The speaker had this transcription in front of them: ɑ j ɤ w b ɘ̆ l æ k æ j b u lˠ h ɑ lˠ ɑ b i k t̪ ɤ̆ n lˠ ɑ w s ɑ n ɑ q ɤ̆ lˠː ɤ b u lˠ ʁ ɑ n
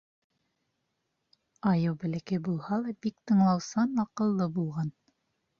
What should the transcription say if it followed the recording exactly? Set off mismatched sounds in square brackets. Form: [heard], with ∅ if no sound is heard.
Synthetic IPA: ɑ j ɤ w b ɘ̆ l æ k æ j b u lˠ h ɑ lˠ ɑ b i k t̪ ɤ̆ [ɴ] lˠ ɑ w s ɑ n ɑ q ɤ̆ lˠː ɤ b u lˠ ʁ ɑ n

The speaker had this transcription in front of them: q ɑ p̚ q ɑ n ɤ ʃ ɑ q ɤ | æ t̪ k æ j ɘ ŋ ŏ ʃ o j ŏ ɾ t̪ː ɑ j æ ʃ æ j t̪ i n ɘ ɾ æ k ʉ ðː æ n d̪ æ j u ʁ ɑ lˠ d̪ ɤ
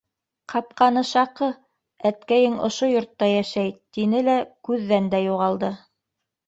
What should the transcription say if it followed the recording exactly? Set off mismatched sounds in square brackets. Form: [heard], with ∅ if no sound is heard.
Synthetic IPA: q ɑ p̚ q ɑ n ɤ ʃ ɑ q ɤ | æ t̪ k æ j ɘ ŋ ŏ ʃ o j ŏ ɾ t̪ː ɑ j æ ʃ æ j t̪ i n ɘ [l] æ k ʉ ðː æ n d̪ æ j u ʁ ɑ lˠ d̪ ɤ

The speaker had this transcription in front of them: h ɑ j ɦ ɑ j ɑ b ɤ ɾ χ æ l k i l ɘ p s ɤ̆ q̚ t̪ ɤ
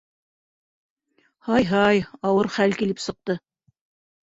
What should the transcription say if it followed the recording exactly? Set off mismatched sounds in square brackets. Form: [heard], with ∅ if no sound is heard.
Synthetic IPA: h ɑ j ɦ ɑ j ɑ [w] ɤ ɾ χ æ l k i l ɘ p s ɤ̆ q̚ t̪ ɤ

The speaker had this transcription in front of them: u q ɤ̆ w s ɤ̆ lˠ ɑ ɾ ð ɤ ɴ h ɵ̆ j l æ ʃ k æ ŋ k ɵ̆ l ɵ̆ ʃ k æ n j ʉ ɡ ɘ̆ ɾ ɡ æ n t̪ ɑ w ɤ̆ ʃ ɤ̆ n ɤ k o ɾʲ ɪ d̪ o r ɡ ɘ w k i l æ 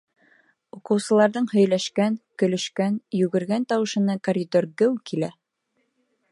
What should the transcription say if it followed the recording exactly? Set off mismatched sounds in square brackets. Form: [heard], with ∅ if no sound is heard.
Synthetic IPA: u q ɤ̆ w s ɤ̆ lˠ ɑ ɾ ð ɤ ɴ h ɵ̆ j l æ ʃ k æ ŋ k ɵ̆ l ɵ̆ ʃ k æ n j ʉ ɡ ɘ̆ ɾ ɡ æ n t̪ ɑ w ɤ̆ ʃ ɤ̆ n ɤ k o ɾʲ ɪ d̪ o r ɡ ɘ w k i l æ

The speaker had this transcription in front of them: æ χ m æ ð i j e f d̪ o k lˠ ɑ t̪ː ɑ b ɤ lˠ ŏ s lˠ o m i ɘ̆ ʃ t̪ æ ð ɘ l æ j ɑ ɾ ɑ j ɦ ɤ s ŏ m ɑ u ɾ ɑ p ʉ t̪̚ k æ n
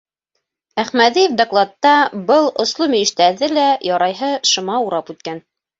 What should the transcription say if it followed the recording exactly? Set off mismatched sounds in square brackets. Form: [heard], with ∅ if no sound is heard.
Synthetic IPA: æ χ m æ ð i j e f d̪ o k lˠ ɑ t̪ː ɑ b ɤ lˠ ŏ s lˠ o m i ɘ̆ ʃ t̪ æ ð ɘ l æ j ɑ ɾ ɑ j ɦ ɤ [ʃ] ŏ m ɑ u ɾ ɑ p ʉ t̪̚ k æ n

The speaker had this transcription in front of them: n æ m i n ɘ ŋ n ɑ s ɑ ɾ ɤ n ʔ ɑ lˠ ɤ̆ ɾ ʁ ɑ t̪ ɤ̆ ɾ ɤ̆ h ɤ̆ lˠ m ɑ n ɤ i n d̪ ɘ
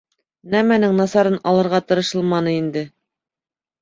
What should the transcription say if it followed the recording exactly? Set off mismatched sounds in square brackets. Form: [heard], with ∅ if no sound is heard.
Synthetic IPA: n æ m [æ] n ɘ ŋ n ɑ s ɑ ɾ ɤ n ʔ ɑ lˠ ɤ̆ ɾ ʁ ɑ t̪ ɤ̆ ɾ ɤ̆ [ʃ] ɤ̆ lˠ m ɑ n ɤ i n d̪ ɘ

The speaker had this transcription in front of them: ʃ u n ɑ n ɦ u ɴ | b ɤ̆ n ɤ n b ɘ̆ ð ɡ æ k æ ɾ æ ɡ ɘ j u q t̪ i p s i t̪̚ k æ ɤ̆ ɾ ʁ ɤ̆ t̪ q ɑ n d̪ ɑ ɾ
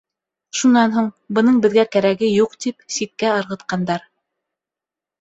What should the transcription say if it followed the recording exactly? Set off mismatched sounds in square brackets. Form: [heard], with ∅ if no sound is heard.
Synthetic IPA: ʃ u n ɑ n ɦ u ɴ | b ɤ̆ n ɤ [ɴ] b ɘ̆ ð ɡ æ k æ ɾ æ ɡ ɘ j u q t̪ i p s i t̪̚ k æ ɤ̆ ɾ ʁ ɤ̆ t̪ q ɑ n d̪ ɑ ɾ

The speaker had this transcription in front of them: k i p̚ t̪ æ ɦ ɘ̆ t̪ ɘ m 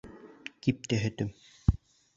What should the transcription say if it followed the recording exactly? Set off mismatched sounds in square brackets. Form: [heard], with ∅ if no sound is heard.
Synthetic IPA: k i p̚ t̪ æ ɦ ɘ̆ t̪ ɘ m

